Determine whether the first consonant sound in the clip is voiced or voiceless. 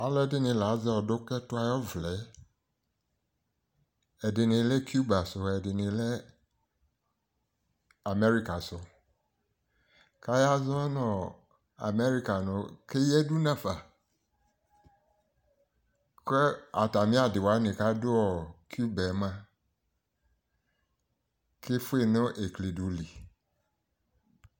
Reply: voiced